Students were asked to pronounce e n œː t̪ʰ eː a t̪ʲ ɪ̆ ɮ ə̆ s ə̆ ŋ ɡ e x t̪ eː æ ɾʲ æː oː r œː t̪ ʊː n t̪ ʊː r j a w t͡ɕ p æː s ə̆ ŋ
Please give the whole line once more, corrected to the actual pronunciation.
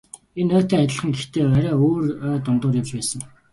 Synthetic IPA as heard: e n œː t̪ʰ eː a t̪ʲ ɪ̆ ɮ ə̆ χ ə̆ ŋ ɡ e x t̪ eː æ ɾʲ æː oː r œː t̪ ʊ n t̪ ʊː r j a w t͡ɕ p æː s ə̆ ŋ